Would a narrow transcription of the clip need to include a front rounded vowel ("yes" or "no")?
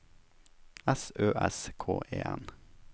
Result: yes